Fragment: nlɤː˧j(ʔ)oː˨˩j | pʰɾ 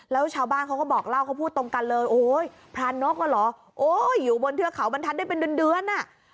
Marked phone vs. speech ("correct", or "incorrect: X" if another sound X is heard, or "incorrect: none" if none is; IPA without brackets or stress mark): correct